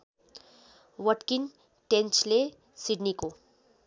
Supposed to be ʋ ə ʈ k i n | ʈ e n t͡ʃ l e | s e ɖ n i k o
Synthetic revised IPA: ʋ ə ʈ k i n | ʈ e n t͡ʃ l e | s i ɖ n i k o